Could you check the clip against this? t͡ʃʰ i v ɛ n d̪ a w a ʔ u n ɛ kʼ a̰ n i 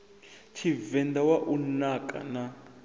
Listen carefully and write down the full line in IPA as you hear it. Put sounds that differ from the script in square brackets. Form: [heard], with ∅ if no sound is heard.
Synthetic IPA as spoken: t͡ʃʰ i v ɛ n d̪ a w a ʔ u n [a] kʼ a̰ n [a]